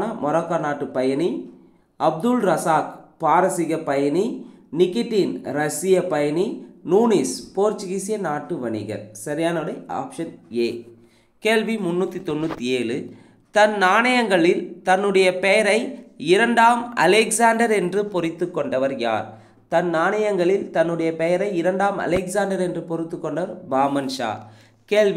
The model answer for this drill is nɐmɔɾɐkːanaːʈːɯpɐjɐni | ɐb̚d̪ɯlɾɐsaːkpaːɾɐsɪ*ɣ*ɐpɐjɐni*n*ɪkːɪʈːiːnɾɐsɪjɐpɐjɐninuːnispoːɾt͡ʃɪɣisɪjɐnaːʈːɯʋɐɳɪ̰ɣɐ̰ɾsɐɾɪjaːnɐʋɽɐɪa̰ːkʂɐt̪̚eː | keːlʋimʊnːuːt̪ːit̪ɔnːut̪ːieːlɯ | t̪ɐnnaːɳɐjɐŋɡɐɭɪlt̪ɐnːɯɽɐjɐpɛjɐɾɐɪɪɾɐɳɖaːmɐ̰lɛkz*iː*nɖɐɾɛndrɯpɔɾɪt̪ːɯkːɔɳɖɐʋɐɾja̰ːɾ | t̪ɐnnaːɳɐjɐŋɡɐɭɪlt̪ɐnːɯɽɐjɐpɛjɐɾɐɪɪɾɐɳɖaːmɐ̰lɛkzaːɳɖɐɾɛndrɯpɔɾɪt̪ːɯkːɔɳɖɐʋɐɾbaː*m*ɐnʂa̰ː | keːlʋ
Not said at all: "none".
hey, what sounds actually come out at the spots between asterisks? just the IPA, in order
ɣ, n, aː, m

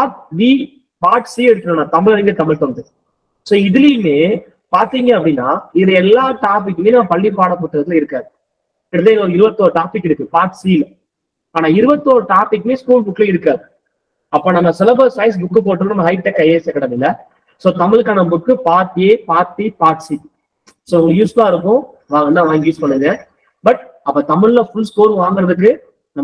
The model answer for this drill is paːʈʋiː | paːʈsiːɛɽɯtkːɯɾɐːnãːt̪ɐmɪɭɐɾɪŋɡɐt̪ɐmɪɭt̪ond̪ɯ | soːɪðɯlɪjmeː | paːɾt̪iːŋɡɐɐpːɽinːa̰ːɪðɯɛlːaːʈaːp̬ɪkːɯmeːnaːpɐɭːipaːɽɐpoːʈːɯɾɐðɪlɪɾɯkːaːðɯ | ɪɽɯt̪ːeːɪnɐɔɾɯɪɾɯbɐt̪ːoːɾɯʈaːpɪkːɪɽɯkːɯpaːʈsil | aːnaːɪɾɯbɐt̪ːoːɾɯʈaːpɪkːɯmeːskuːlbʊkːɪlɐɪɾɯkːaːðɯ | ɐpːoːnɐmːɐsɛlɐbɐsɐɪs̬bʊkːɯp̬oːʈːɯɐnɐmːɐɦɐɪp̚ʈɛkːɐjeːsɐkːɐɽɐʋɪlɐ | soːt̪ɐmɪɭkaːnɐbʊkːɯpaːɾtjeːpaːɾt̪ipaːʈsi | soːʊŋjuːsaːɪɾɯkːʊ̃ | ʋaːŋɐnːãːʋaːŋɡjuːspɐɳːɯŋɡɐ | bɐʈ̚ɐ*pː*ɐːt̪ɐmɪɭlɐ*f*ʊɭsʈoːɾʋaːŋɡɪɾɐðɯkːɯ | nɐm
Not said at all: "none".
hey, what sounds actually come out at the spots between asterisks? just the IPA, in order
pː, f

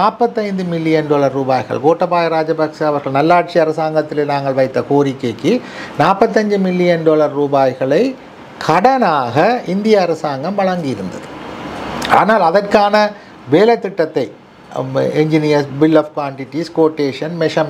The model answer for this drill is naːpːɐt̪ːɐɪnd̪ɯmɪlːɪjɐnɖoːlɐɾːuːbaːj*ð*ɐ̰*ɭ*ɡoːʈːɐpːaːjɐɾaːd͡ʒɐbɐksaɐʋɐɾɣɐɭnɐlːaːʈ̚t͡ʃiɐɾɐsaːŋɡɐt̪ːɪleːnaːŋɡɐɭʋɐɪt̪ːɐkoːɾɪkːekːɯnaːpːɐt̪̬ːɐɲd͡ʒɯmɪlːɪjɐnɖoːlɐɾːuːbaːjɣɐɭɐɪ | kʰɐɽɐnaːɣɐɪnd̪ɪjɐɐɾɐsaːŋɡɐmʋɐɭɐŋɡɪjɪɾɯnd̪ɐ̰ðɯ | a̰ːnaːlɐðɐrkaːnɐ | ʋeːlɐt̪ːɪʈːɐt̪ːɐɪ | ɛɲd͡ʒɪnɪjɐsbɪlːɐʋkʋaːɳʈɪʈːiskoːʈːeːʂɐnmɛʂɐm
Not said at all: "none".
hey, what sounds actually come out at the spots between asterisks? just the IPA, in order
ɣ, ɭ

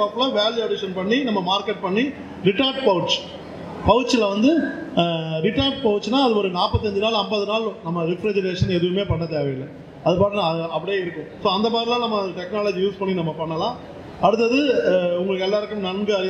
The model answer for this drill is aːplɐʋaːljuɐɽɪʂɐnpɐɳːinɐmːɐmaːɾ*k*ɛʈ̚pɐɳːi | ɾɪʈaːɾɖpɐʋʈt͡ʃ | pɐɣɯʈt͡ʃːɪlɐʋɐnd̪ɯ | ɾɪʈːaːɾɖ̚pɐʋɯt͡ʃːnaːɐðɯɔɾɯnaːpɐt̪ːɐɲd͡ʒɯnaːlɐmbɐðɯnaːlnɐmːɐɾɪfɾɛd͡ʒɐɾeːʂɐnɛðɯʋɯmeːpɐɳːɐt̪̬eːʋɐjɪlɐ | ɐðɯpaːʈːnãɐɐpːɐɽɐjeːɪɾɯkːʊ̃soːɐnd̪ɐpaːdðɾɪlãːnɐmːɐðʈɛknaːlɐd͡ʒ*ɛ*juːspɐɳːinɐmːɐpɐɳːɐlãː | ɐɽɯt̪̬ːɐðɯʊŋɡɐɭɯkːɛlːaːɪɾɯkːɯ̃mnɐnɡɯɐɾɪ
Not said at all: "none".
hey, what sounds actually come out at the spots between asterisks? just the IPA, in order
k, i

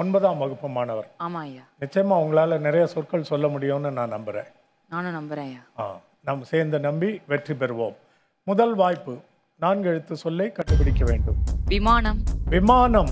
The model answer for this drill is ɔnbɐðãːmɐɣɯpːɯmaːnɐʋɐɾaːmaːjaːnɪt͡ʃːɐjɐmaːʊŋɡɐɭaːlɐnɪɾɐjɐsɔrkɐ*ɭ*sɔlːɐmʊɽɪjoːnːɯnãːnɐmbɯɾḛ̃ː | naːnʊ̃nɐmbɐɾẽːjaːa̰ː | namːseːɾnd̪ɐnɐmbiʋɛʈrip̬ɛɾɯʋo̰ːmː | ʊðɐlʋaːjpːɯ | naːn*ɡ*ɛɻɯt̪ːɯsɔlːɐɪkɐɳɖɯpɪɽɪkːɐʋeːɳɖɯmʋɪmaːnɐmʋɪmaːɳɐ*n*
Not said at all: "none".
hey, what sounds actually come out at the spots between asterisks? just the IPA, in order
ɭ, ɡ, m

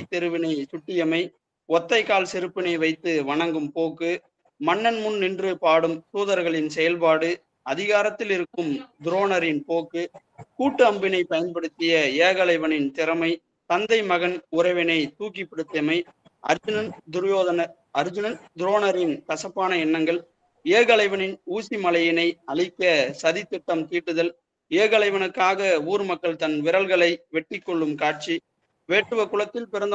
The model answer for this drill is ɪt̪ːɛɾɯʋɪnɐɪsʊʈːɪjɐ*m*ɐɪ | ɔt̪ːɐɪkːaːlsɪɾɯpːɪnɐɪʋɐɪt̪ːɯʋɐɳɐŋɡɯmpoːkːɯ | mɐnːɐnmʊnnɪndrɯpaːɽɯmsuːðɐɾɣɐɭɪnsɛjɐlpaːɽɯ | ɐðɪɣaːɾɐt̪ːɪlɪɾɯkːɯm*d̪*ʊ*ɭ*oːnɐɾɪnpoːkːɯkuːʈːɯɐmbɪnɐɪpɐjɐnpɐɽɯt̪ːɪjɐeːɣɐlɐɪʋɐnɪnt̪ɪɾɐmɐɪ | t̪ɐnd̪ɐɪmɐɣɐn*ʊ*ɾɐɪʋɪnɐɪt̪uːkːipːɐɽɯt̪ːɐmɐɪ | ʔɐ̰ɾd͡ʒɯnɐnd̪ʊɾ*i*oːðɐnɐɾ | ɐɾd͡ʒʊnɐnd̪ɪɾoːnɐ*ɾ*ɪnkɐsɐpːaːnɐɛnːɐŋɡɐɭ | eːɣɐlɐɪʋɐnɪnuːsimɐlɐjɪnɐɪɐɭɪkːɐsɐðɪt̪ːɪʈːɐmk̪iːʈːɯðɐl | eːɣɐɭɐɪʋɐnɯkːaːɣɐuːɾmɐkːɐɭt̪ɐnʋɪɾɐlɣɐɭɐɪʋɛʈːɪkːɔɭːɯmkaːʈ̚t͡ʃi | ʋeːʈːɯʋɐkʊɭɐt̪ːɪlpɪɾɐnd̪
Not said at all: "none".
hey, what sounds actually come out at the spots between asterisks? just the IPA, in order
m, d̪, ɾ, ʊ, j, ɾ

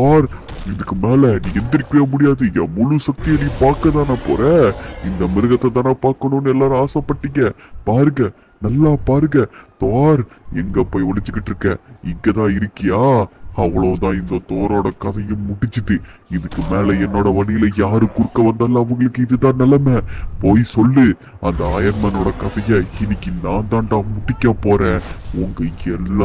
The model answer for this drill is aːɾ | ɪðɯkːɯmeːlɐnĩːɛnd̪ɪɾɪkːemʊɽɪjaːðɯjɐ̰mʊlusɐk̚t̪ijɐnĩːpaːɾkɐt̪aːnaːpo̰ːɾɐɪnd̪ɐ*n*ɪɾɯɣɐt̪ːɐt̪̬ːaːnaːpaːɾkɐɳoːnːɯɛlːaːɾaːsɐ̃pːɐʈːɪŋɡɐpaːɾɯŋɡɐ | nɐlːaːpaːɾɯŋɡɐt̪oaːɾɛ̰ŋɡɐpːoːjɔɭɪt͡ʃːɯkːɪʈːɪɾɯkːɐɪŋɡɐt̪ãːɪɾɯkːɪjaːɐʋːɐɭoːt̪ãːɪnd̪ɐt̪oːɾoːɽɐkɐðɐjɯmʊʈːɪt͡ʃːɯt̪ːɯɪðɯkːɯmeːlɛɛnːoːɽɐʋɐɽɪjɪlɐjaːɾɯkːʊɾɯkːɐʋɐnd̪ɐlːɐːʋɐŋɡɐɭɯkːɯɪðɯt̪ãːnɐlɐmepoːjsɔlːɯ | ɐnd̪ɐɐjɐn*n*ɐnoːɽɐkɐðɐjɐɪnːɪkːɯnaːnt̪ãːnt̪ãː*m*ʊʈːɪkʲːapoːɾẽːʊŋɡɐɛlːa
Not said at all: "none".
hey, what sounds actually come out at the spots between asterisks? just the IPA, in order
m, m, m

